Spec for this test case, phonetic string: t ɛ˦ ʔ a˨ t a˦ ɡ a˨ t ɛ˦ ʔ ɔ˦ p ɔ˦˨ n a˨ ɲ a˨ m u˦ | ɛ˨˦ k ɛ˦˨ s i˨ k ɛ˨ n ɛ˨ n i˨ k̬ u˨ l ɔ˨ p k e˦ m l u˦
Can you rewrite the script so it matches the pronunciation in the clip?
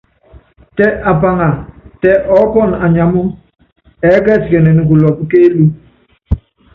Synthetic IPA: t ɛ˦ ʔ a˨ p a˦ ŋ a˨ t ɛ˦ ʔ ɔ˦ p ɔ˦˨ n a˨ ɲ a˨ m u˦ | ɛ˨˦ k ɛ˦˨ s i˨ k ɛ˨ n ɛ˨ n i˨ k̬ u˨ l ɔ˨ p k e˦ l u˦

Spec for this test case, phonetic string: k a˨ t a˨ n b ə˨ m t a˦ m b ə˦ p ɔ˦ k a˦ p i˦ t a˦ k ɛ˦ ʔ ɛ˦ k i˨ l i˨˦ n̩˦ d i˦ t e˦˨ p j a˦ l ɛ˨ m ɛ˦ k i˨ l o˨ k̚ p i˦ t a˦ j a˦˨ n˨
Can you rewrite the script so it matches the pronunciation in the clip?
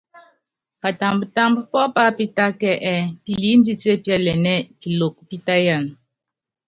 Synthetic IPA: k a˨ t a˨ m b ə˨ t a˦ m b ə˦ p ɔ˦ p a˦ p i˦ t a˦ k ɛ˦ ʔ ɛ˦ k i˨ l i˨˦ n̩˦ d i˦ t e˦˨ p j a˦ l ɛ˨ n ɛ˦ k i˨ l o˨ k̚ p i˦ t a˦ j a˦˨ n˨

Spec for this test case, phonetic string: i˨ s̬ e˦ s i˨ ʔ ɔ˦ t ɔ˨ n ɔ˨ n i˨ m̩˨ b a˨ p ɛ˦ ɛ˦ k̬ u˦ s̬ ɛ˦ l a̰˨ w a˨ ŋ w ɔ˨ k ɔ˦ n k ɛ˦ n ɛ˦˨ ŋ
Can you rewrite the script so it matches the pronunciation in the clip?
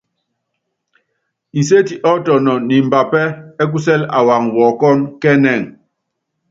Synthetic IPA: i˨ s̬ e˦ t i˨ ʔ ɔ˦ t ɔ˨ n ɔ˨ n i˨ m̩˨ b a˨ p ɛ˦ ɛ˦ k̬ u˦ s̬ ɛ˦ l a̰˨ w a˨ ŋ w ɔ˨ k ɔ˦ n k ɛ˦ n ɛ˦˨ ŋ

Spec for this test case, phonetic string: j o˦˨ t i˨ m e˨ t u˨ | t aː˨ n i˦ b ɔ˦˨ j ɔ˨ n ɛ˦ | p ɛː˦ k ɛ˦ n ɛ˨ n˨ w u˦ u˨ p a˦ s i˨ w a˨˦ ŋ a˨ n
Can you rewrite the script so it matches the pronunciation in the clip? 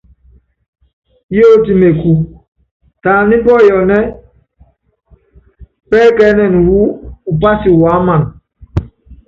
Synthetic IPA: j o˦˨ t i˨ m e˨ k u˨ | t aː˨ n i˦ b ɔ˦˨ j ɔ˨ n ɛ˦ | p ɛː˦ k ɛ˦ n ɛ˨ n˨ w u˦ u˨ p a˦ s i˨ w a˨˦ m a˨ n

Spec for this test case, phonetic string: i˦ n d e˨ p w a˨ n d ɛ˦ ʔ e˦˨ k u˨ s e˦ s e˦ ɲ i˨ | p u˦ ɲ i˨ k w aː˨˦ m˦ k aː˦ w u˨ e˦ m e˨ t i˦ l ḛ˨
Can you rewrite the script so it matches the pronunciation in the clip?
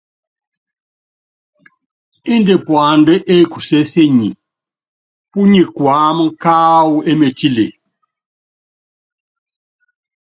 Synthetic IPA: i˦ n d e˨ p w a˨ n d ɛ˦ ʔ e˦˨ k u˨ s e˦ s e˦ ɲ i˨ | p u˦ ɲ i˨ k w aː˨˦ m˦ k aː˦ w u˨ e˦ m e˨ t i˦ l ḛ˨

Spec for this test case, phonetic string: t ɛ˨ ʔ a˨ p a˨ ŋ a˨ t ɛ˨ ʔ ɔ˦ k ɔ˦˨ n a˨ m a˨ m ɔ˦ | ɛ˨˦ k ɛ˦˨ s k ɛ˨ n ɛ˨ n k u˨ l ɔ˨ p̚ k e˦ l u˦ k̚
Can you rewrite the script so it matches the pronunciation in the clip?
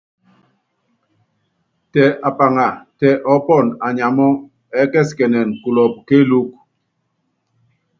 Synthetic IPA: t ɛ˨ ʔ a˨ p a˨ ŋ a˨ t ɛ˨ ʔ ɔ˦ p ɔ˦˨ n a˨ ɲ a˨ m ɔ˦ | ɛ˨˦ k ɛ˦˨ s k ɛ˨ n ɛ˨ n k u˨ l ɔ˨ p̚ k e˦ l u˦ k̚

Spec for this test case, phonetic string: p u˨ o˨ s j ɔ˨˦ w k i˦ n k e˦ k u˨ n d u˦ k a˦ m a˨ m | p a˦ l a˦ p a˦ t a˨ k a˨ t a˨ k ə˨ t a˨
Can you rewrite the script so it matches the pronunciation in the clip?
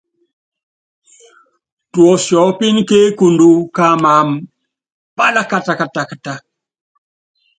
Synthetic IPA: t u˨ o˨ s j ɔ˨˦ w p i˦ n k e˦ k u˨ n d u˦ k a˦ m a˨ m | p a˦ l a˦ k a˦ t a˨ k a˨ t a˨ k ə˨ t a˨

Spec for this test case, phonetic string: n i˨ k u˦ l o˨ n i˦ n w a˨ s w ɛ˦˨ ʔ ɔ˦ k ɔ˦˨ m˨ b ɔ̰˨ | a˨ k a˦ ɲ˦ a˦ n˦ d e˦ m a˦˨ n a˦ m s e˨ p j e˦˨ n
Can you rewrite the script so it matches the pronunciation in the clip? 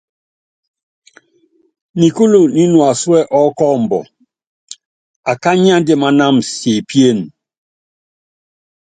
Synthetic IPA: n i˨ k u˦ l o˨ n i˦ n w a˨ s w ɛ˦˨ ʔ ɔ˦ k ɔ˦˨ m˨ b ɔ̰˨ | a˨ k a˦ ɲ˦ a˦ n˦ d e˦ m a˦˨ n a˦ m s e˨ p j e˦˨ n

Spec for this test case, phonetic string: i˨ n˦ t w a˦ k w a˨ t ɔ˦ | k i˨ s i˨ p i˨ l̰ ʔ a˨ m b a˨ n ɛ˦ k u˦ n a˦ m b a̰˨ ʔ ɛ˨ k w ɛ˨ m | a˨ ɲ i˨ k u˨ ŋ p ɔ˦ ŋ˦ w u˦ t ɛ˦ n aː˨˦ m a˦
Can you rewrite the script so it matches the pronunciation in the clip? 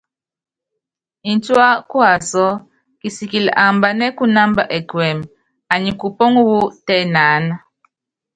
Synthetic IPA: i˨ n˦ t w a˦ k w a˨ s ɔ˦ | k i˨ s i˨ k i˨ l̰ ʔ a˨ m b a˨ n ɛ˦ k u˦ n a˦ m b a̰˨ ʔ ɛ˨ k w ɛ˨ m | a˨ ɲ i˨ k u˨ p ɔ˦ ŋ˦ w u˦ t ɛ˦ n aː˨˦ n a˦

